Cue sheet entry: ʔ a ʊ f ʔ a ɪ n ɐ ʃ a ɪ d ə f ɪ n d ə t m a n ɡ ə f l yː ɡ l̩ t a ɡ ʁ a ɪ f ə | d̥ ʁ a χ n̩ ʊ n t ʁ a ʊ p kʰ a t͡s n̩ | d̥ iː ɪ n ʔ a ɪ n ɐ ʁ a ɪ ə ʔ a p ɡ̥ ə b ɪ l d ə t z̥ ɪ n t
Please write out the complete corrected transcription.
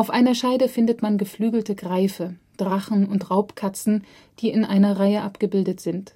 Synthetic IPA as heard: ʔ a ʊ f ʔ a ɪ n ɐ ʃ a ɪ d ə f ɪ n d ə t m a n ɡ ə f l yː ɡ l̩ t ə ɡ ʁ a ɪ f ə | d̥ ʁ a χ n̩ ʊ n t ʁ a ʊ p kʰ a t͡s n̩ | d̥ iː ɪ n ʔ a ɪ n ɐ ʁ a ɪ ə ʔ a p ɡ̥ ə b ɪ l d ə t z̥ ɪ n t